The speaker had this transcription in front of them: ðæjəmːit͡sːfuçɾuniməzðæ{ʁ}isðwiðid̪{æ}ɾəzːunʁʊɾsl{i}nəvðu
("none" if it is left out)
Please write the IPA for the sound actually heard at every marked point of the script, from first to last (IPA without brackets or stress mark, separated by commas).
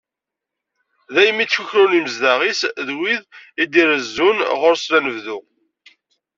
ʁ, i, æ